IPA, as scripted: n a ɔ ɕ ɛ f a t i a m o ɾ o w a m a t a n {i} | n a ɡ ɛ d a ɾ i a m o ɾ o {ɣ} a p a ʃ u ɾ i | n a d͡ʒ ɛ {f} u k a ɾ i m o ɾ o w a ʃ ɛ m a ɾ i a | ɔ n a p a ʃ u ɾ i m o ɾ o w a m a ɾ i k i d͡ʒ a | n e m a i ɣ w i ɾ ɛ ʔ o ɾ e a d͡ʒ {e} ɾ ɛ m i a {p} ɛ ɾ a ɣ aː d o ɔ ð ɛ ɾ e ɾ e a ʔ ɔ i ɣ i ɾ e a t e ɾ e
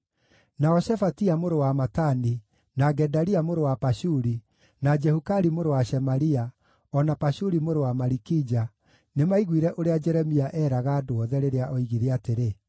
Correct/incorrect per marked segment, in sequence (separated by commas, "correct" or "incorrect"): correct, incorrect, incorrect, incorrect, incorrect